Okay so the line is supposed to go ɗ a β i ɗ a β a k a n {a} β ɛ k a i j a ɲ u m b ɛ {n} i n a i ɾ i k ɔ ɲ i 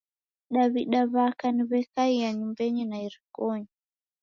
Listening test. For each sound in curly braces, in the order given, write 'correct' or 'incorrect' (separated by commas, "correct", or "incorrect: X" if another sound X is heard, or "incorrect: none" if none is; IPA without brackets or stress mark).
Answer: incorrect: i, incorrect: ɲ